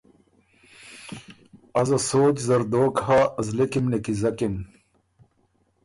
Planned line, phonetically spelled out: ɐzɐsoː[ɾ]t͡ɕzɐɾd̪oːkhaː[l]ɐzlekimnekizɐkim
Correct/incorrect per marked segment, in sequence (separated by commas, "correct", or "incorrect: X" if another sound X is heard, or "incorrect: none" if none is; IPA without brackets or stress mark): incorrect: none, incorrect: none